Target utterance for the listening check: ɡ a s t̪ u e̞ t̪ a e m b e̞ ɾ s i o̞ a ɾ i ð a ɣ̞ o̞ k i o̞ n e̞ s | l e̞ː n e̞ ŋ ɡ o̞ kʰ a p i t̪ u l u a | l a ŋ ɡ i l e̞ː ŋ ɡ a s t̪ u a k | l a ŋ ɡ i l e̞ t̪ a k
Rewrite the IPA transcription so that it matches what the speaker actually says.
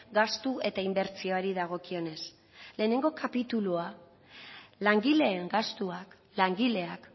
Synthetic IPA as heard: ɡ a s t̪ u e̞ t̪ a i m b e̞ ɾ t͡s i o̞ a ɾ i ð a ɣ̞ o̞ k i o̞ n e̞ s | l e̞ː n e̞ ŋ ɡ o̞ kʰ a p i t̪ u l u a | l a ŋ ɡ i l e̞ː ŋ ɡ a s t̪ u a k | l a ŋ ɡ i l e̞ a k